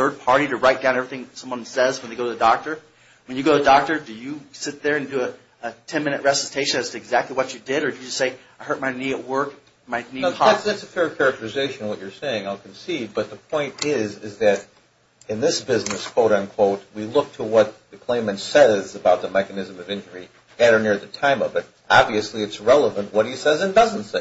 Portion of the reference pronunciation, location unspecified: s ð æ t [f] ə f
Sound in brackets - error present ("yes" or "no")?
yes